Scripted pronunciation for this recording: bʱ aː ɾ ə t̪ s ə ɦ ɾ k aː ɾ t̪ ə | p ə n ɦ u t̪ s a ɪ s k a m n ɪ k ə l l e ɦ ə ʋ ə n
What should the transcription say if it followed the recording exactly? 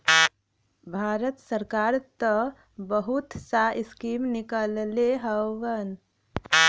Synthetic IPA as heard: bʱ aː ɾ ə t̪ s ə ɾ k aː ɾ t̪ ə | b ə ɦ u t̪ s a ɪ s k i m n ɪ k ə l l e ɦ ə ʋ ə n